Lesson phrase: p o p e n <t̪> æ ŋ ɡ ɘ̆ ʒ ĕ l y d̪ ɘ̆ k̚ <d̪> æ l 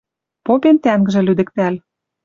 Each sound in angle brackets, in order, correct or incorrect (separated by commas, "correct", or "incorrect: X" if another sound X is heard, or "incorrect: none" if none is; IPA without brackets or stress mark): correct, incorrect: t̪